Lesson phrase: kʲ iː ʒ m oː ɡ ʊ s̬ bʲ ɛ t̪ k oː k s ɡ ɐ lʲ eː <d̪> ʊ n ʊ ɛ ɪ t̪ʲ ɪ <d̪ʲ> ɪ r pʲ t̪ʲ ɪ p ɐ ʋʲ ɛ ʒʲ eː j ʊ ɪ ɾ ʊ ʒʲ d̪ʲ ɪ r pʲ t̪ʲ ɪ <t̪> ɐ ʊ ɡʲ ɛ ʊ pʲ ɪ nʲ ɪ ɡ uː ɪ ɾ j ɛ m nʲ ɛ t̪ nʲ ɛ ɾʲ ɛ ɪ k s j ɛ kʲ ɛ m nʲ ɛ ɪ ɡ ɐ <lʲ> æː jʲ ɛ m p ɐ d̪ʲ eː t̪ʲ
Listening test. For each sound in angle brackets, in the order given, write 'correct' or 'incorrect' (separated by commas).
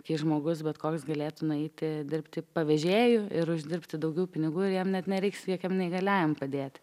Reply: incorrect, correct, incorrect, correct